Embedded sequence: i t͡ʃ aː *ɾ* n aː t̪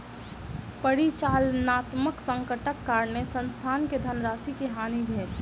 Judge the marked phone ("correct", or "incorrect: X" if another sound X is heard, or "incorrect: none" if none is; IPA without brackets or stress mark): incorrect: l